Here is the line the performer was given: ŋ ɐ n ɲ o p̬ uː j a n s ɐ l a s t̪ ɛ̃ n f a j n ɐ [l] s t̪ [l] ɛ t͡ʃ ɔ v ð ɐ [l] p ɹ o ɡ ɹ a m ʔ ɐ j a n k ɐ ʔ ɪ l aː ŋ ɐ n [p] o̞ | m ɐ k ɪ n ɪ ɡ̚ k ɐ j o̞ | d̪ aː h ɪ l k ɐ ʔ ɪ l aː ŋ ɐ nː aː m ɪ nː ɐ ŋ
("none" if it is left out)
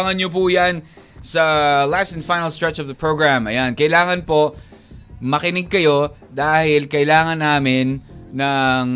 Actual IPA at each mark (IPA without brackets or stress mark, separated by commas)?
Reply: l, ɹ, none, p